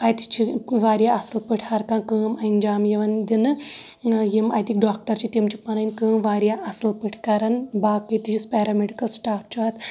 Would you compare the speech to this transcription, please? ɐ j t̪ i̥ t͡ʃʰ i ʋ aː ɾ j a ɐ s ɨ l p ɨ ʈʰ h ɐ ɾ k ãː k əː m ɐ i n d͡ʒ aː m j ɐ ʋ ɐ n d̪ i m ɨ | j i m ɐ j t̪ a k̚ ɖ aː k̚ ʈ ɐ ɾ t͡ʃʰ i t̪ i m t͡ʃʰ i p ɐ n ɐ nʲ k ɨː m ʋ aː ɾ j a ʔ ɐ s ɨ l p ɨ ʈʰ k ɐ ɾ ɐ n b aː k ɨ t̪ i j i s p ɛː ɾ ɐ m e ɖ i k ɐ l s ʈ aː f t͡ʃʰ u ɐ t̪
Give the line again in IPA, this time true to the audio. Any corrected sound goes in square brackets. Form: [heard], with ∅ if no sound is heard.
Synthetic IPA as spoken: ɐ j t̪ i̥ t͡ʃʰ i ʋ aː ɾ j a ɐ s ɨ l p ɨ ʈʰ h ɐ ɾ k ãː k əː m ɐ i n d͡ʒ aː m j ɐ ʋ ɐ n d̪ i [n] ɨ | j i m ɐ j t̪ [i] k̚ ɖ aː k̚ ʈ ɐ ɾ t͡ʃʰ i t̪ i m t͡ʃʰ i p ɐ n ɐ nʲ k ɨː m ʋ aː ɾ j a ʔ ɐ s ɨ l p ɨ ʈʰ k ɐ ɾ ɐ n b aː k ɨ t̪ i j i s p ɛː ɾ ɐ m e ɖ i k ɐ l s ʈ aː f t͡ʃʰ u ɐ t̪